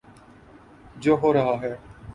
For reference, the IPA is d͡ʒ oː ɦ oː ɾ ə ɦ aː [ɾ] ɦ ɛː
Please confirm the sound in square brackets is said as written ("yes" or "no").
no